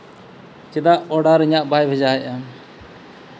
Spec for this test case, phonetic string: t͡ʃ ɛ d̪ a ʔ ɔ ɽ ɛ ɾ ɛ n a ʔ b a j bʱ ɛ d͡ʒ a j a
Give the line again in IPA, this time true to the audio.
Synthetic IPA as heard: t͡ʃ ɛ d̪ a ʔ ɔ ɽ a ɾ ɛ ɲ a ʔ b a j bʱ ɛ d͡ʒ a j a